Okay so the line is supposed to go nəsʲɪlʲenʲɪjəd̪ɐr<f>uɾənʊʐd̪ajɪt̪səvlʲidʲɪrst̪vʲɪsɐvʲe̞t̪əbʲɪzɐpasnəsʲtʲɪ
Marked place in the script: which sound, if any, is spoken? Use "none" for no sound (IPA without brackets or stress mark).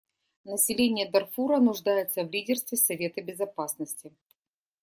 f